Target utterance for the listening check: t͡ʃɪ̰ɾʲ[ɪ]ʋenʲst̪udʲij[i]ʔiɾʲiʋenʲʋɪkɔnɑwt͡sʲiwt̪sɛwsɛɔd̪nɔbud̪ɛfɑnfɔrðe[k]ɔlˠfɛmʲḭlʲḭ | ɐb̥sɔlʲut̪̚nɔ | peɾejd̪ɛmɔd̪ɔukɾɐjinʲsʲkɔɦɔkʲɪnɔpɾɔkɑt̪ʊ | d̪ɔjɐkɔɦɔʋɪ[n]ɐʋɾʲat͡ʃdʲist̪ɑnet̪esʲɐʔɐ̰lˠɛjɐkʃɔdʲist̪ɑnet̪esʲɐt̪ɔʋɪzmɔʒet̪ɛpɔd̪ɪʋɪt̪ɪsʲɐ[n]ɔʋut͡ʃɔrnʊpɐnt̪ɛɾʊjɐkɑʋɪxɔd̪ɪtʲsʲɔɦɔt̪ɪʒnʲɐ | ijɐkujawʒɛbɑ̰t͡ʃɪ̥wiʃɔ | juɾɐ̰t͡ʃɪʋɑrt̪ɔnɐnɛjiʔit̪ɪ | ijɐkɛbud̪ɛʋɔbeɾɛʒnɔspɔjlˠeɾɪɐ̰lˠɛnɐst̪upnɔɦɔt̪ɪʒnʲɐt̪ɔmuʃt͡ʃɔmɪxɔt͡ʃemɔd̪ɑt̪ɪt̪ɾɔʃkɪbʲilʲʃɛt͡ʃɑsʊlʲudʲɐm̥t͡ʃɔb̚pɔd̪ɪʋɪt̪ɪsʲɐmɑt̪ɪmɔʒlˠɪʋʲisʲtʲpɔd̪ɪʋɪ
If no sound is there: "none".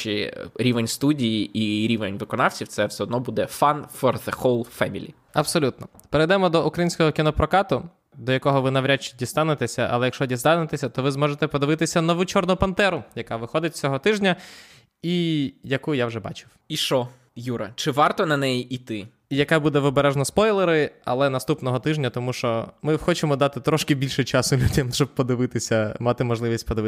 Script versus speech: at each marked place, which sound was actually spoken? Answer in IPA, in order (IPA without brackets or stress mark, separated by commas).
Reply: i, i, x, n, n